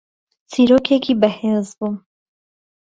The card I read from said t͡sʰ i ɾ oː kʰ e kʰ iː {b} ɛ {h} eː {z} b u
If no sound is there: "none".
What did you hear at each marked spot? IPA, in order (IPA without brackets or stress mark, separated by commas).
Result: b, h, z